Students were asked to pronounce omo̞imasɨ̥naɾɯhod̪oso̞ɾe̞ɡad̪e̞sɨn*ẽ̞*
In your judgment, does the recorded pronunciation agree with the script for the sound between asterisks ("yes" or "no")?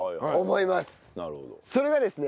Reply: no